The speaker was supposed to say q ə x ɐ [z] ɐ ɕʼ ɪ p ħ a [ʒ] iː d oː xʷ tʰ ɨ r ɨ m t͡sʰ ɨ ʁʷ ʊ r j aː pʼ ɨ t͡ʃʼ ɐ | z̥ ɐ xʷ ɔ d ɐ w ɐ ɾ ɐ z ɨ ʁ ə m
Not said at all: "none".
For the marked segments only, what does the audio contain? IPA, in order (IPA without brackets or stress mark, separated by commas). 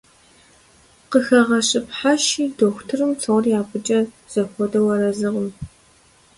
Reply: ʁ, ʃ